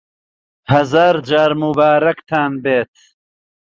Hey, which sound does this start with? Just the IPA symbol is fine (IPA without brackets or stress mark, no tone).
h